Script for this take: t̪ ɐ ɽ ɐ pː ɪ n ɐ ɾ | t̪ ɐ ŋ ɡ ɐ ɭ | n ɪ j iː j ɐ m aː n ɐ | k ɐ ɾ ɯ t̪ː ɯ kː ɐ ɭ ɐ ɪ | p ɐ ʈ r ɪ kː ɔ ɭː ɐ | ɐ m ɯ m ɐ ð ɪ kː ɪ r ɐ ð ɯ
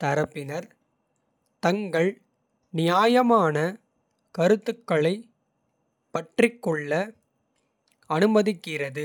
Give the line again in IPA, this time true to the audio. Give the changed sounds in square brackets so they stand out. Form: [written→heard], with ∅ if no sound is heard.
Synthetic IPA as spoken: t̪ ɐ [ɽ→ɾ] ɐ pː ɪ n ɐ ɾ | t̪ ɐ ŋ ɡ ɐ ɭ | n ɪ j [iː→aː] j ɐ m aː n ɐ | k ɐ ɾ ɯ t̪ː ɯ kː ɐ ɭ ɐ ɪ | p ɐ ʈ r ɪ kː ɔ ɭː ɐ | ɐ [m→n] ɯ m ɐ ð ɪ kː ɪ r ɐ ð ɯ